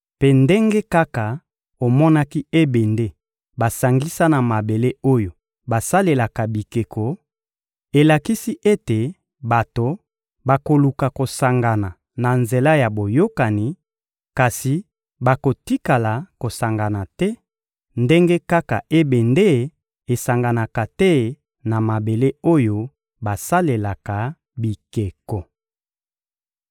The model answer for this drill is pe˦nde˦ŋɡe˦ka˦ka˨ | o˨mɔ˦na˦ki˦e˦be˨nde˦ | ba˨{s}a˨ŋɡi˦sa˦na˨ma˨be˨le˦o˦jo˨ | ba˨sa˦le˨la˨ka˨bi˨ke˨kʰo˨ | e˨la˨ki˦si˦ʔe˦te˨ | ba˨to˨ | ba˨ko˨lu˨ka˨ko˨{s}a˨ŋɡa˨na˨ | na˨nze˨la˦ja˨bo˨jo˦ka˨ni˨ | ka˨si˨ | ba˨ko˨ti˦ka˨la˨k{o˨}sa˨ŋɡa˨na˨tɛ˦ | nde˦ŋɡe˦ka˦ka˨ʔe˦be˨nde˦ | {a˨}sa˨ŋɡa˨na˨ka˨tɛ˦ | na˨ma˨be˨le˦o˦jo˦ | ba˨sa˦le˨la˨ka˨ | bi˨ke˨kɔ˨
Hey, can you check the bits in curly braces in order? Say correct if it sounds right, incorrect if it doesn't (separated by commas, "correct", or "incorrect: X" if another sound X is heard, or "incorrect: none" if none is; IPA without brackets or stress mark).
correct, correct, correct, incorrect: e˨